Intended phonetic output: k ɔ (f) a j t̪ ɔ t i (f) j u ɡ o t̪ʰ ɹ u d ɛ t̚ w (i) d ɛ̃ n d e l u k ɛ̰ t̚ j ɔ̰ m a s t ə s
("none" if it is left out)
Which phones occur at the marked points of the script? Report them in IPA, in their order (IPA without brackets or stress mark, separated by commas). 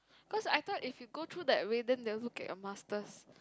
s, f, e